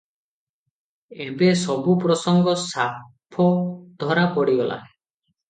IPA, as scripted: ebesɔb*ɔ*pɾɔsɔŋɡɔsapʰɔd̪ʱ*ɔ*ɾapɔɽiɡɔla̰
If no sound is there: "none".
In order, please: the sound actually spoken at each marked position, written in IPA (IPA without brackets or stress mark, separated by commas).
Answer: u, ɔ